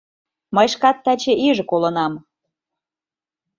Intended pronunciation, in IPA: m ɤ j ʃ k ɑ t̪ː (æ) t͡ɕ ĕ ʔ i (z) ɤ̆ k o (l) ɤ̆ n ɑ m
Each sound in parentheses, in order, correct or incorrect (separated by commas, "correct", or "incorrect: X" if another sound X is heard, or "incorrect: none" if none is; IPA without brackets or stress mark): correct, incorrect: ʒ, correct